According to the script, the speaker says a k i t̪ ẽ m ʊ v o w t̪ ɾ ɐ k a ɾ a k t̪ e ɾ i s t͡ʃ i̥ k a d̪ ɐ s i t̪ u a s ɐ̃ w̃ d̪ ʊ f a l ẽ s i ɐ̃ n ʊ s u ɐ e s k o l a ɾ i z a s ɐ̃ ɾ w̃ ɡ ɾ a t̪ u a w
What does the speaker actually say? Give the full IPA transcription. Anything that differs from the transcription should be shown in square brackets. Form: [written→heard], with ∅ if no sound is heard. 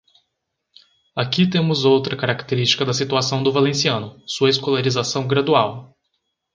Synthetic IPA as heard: a k i t̪ ẽ m ʊ [v→z] o w t̪ ɾ ɐ k a ɾ a k t̪ e ɾ i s t͡ʃ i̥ k [a→ɐ] d̪ ɐ s i t̪ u a s ɐ̃ w̃ d̪ ʊ [f→v] a l ẽ s i ɐ̃ n ʊ s u ɐ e s k o l a ɾ i z a s ɐ̃ [ɾ→∅] w̃ ɡ ɾ a [t̪→d̪] u a w

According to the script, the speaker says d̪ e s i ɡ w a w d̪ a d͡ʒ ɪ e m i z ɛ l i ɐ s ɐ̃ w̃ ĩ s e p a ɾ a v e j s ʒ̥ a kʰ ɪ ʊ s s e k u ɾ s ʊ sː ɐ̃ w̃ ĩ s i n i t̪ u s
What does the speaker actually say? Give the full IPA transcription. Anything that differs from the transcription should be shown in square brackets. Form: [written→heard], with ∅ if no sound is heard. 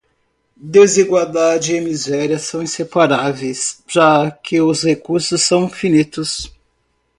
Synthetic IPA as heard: d̪ e [s→z] i ɡ w a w d̪ a d͡ʒ ɪ e m i z ɛ [l→ɾ] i ɐ s ɐ̃ w̃ ĩ s e p a ɾ a v e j s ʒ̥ a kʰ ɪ ʊ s [s→h] e k u ɾ s ʊ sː ɐ̃ w̃ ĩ [s→f] i n i t̪ [u→ʊ] s

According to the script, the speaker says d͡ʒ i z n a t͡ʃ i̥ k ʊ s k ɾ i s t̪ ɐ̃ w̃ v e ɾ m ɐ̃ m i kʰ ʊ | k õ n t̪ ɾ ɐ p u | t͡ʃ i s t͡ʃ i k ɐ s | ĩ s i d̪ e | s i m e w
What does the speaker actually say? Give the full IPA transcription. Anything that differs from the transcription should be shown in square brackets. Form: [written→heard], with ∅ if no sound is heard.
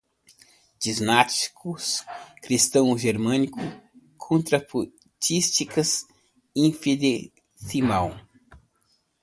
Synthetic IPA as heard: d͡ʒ i z n a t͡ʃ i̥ k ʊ s k ɾ i s t̪ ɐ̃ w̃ [v→ʒ] e ɾ m ɐ̃ [m→n] i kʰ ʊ | [k→kʰ] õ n t̪ ɾ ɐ p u | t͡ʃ i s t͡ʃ i k ɐ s | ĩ [s→f] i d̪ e | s i m [e→a] w

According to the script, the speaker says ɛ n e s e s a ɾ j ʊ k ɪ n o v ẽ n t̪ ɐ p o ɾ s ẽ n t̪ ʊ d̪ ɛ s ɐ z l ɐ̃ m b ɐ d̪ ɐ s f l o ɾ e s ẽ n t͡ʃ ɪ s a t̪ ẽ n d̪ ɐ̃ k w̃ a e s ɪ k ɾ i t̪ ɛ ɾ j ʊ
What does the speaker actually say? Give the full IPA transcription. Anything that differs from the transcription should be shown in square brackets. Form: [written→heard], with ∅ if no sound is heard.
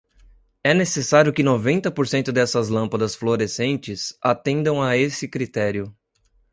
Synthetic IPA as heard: ɛ n e s e s a ɾ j ʊ k ɪ n o v ẽ n t̪ ɐ p o ɾ s ẽ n t̪ ʊ d̪ ɛ s ɐ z l ɐ̃ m [b→p] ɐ d̪ ɐ s f l o ɾ e s ẽ n t͡ʃ ɪ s a t̪ ẽ n d̪ ɐ̃ [k→∅] w̃ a e s ɪ k ɾ i t̪ ɛ ɾ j ʊ

